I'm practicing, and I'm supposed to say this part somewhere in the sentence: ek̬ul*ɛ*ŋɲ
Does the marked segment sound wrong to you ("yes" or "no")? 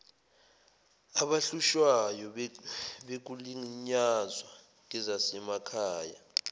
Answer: yes